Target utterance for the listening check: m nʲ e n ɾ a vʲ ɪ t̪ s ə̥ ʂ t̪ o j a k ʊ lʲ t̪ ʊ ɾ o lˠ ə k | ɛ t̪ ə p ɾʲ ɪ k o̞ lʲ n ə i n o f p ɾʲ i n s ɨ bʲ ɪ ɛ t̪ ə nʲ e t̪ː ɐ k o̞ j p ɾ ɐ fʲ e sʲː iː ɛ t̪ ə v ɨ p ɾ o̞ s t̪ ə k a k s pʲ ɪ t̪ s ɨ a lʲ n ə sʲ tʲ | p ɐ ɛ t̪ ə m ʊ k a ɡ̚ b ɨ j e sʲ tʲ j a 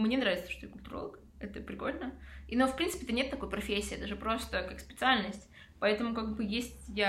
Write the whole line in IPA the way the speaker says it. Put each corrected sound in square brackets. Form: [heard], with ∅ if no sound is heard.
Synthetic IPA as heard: m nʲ e n ɾ a vʲ ɪ t̪ s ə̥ ʂ t̪ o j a k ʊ lʲ t̪ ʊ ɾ o lˠ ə k | ɛ t̪ ə p ɾʲ ɪ k o̞ lʲ n ə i n o f p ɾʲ i n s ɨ [pʲ] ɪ ɛ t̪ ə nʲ e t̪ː ɐ k o̞ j p ɾ ɐ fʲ e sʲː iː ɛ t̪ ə [ʐ] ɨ p ɾ o̞ s t̪ ə k a k s pʲ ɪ t̪ s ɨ a lʲ n ə sʲ tʲ | p ɐ ɛ t̪ ə m ʊ k a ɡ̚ b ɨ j e sʲ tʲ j a